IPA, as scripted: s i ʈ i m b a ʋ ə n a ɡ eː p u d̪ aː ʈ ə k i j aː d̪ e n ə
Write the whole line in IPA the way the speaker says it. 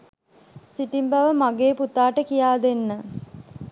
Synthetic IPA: s i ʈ i m b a ʋ ə m a ɡ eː p u t̪ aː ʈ ə k i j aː d̪ e nː ə